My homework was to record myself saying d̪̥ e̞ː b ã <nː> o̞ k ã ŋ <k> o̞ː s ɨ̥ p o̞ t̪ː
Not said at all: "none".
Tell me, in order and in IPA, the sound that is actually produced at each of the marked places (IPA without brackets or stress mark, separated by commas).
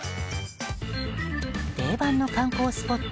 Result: nː, k